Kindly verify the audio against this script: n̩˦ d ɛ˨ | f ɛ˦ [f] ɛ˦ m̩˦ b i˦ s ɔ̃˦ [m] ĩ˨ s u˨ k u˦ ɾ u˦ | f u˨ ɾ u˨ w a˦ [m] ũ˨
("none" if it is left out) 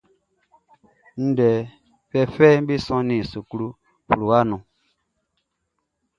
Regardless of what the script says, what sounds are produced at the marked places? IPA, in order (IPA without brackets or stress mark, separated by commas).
f, n, n